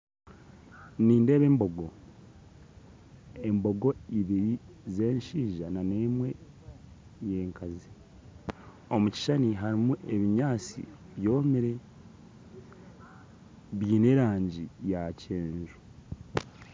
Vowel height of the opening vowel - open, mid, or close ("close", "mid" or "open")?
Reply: close